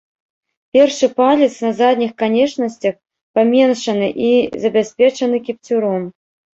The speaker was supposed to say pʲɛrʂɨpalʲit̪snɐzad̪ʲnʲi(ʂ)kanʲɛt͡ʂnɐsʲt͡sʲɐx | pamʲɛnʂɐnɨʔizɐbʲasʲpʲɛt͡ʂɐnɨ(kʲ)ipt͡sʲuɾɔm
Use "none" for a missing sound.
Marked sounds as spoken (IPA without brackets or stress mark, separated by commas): x, kʲ